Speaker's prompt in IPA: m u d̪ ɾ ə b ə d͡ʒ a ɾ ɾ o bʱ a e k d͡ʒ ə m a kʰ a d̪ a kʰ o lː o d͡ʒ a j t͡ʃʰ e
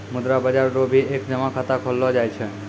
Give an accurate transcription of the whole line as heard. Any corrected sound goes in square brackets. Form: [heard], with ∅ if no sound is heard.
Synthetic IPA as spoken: m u d̪ ɾ [a] b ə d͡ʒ a ɾ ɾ o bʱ [i] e k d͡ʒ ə m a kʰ a [t̪] a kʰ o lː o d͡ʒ a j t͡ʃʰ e

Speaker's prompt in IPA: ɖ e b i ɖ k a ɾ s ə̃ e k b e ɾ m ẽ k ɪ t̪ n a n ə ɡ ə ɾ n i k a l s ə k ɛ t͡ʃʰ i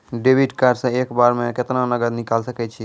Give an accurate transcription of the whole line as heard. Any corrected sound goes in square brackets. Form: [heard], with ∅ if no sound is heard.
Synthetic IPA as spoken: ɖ e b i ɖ k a ɾ s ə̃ e k b [a] ɾ m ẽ k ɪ t̪ n a n ə ɡ ə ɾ n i k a l s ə k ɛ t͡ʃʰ i

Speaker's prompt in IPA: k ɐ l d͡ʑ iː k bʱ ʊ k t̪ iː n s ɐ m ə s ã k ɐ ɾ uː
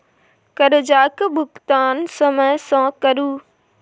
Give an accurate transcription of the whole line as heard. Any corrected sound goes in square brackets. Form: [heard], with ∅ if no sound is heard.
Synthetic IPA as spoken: k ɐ [ɾ] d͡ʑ [aː] k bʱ ʊ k t̪ [aː] n s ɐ m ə s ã k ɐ ɾ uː

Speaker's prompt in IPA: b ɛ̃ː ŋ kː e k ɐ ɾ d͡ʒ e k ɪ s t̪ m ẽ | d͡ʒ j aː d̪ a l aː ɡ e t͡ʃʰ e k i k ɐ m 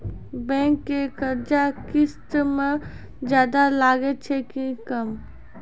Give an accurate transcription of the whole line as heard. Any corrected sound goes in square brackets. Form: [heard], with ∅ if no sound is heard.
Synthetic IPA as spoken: b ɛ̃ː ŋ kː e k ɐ ɾ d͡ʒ [a] k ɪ s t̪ m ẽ | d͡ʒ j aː d̪ a l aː ɡ e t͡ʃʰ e k i k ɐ m

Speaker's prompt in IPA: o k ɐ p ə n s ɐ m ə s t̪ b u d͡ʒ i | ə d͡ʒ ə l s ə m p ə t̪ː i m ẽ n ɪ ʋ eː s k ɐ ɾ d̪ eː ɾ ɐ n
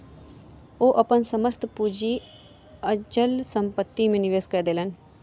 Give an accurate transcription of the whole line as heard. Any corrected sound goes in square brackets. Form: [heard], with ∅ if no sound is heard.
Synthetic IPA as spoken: o [ʔ] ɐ p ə n s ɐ m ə s t̪ [p] u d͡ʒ i | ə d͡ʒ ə l s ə m p ə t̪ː i m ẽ n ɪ ʋ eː s k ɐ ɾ d̪ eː [l] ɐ n

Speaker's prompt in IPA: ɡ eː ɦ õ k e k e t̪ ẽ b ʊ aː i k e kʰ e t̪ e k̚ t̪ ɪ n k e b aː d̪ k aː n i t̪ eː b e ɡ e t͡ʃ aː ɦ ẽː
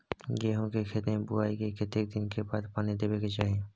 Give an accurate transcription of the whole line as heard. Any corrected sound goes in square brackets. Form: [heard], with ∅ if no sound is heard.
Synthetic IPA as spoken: ɡ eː ɦ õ k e [kʰ] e t̪ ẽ b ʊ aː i k e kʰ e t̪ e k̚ [d̪] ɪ n k e b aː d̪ [p] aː n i [d̪] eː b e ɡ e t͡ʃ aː ɦ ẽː

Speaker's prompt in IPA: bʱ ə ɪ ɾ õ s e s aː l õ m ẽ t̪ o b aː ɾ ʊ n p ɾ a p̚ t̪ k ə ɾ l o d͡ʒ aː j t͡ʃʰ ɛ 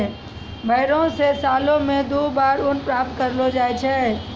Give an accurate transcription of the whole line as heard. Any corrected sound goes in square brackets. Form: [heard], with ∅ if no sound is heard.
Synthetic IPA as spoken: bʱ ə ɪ ɾ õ s e s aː l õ m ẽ [d̪] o b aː ɾ ʊ n p ɾ a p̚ t̪ k ə ɾ l o d͡ʒ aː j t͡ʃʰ ɛ

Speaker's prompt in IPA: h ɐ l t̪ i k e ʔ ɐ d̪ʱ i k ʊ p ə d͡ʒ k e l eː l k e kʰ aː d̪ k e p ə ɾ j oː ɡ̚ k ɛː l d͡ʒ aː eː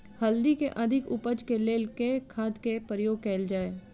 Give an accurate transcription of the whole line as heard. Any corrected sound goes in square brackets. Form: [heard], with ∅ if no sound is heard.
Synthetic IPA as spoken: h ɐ l [d̪] i k e ʔ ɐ d̪ʱ [ɪ] k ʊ p ə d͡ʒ k e l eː l k e kʰ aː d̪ k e p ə ɾ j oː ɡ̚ k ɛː l d͡ʒ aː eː

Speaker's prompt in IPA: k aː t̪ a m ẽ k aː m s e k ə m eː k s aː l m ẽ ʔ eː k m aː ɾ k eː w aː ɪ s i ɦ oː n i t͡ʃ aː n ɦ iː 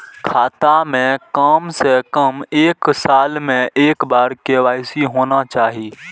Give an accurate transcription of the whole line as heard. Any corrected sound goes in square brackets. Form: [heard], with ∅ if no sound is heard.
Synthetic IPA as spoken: [kʰ] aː t̪ a m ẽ k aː m s e k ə m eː k s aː l m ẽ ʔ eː k [b] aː ɾ k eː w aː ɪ s i ɦ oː n [a] t͡ʃ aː [∅] ɦ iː

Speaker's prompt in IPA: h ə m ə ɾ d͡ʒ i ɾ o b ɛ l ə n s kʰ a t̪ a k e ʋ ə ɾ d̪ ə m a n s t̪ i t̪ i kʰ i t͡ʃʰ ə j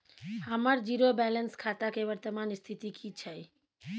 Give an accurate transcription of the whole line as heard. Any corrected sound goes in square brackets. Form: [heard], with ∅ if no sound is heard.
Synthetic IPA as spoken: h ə m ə ɾ d͡ʒ i ɾ o b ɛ l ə n s kʰ a t̪ a k e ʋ ə ɾ [t̪] ə m a n s [t̪ʰ] i t̪ i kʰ i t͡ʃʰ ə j

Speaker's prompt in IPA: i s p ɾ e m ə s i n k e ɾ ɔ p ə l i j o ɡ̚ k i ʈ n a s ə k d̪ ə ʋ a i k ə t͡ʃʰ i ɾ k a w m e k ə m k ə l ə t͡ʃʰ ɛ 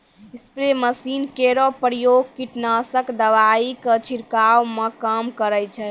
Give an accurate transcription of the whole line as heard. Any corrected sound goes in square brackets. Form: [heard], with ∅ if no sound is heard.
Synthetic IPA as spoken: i s p ɾ e m ə s i n k e ɾ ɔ p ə [ɾ] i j o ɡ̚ k i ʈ n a s ə k d̪ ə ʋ a i k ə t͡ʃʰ i ɾ k a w m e k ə m k ə [ɾ] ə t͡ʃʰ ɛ

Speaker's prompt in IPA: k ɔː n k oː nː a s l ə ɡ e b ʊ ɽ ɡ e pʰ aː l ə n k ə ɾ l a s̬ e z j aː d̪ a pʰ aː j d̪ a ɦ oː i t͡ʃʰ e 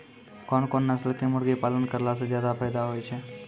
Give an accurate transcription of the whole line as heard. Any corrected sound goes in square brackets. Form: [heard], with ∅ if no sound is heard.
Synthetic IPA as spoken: k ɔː n k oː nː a s l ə [k] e [m] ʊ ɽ ɡ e [p] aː l ə n k ə ɾ l a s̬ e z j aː d̪ a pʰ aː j d̪ a ɦ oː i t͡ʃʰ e

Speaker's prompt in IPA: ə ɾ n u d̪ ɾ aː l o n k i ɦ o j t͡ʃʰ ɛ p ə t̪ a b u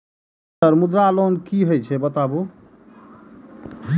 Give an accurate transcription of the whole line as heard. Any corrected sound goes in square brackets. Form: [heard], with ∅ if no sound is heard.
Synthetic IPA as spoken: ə ɾ [m] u d̪ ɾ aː l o n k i ɦ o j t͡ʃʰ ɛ [b] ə t̪ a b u

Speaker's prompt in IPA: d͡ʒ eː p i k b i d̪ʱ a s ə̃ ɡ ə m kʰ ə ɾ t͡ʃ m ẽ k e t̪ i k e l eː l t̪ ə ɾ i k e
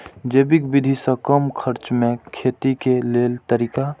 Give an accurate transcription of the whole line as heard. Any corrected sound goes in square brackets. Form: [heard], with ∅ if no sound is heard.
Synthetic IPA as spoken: d͡ʒ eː [b] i k b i d̪ʱ [i] s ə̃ [k] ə m kʰ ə ɾ t͡ʃ m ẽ [kʰ] e t̪ i k e l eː l t̪ ə ɾ i k [a]

